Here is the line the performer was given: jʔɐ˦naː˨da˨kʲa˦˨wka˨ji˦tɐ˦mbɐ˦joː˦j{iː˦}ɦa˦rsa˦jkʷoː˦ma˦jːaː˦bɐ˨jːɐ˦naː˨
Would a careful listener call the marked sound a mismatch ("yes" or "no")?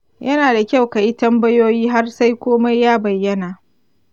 no